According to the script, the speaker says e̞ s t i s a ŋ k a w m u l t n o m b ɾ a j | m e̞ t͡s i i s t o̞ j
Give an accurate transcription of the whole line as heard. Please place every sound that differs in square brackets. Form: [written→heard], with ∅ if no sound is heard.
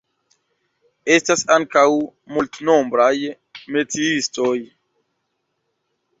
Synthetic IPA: e̞ s t [i→a] s a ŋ k a w m u l t n o m b ɾ a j | m e̞ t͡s i i s t o̞ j